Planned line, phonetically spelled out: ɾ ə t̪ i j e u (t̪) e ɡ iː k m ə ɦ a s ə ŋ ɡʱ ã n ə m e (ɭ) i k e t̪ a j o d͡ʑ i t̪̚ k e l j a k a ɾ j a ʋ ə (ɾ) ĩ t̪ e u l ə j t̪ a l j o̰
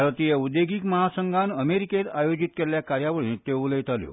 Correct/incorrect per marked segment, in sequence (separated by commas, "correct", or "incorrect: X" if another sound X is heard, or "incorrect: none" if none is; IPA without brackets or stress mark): incorrect: d̪, incorrect: ɾ, incorrect: ɭ